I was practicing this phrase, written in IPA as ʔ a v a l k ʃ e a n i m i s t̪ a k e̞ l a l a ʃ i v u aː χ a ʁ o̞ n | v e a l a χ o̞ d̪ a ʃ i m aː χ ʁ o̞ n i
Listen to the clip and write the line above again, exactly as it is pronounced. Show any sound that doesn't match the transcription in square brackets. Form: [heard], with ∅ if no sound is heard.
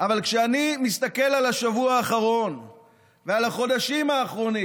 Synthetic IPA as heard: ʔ a v a l k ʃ e a n i m i s t̪ a k e̞ l a l a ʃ [a] v u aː χ a ʁ o̞ n | v e a l a χ o̞ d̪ a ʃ i m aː χ ʁ o̞ n i